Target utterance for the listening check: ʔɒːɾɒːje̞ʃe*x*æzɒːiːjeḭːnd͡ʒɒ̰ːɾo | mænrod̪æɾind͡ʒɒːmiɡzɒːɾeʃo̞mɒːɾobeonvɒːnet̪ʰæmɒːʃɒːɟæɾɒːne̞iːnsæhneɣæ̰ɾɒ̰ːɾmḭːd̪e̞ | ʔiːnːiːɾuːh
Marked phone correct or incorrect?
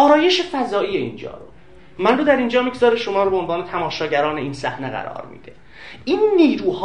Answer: incorrect